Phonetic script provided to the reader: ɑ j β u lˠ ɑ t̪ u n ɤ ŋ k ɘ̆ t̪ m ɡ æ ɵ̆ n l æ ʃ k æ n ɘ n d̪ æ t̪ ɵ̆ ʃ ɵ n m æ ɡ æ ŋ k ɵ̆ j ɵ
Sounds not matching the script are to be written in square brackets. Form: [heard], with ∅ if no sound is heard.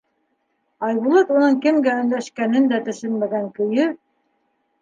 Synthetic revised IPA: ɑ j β u lˠ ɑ t̪ u n ɤ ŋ k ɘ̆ [∅] m ɡ æ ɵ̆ n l æ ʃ k æ n ɘ n d̪ æ t̪ ɵ̆ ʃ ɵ n m æ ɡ æ ŋ k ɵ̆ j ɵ